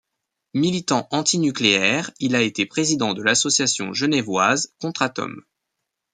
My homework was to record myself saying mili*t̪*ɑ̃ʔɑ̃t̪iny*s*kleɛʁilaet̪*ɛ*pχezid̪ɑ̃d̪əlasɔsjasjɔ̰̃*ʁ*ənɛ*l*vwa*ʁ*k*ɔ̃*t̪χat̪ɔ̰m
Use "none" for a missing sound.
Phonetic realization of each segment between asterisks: t̪, none, e, ʒ, none, z, ɔ̃

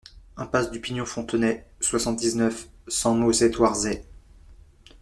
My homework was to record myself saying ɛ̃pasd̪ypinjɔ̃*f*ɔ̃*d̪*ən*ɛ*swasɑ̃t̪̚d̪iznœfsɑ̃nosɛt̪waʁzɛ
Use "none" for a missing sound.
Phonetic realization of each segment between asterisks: f, t̪, ɛ

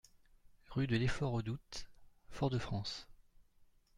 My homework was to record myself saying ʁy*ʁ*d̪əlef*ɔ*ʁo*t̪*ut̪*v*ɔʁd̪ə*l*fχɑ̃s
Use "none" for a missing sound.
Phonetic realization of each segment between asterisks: none, ɔ, d̪, f, none

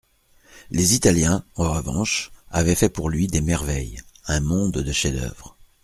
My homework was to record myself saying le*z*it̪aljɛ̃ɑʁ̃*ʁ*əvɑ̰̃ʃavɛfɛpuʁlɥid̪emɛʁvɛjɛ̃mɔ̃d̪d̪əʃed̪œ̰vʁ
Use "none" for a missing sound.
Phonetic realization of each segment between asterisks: z, ʁ

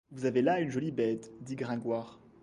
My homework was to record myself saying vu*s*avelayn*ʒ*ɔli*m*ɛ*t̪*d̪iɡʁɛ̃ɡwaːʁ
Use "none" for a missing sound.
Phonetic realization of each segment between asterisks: z, ʒ, b, t̪

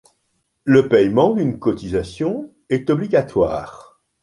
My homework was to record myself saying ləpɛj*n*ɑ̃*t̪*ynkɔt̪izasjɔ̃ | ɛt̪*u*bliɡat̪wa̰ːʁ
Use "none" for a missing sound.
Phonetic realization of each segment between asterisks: m, d̪, ɔ

